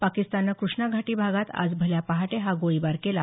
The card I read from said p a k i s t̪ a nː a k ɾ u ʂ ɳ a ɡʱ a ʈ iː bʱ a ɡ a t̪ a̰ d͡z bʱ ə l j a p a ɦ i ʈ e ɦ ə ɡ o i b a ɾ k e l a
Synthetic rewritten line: p a k i s t̪ a nː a k ɾ u ʂ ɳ a ɡʱ a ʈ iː bʱ a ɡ a t̪ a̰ d͡z bʱ ə l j a p a ɦ a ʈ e ɦ a ɡ o i b a ɾ k e l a